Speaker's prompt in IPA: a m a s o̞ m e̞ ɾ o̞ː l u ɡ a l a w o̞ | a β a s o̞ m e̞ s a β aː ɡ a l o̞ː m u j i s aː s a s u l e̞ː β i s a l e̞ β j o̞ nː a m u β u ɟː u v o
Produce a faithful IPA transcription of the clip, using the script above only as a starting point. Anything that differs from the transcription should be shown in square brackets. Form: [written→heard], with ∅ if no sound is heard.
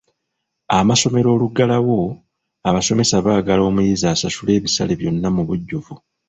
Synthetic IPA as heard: a m a s o̞ m e̞ ɾ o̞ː l u ɡ a l a w o̞ | a β a s o̞ m e̞ s a β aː ɡ a l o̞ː m u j i [s→z] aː s a s u l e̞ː β i s a l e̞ β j o̞ nː a m u β u ɟː u v [o→u]